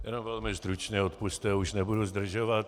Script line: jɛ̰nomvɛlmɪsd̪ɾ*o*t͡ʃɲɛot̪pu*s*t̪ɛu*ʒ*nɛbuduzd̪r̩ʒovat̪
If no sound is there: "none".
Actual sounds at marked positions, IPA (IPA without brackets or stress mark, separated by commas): u, s, ʃ